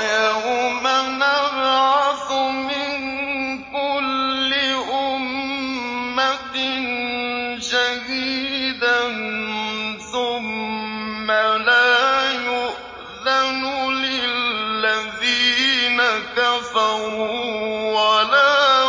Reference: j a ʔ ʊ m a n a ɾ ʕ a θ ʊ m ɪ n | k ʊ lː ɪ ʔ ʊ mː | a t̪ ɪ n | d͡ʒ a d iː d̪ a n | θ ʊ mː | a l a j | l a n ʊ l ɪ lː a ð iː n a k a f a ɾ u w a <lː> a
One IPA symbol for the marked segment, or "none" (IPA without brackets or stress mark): l